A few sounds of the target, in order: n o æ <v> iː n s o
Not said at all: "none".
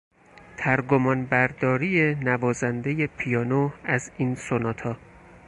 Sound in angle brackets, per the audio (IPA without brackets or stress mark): z